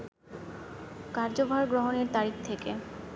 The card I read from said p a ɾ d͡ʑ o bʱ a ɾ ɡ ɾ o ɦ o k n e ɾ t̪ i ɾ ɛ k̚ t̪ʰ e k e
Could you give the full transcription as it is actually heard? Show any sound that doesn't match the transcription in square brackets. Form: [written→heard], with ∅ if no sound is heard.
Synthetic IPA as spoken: [p→k] a ɾ d͡ʑ o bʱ a ɾ ɡ ɾ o ɦ o [k→∅] n e ɾ t̪ [i→a] ɾ [ɛ→i] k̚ t̪ʰ e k e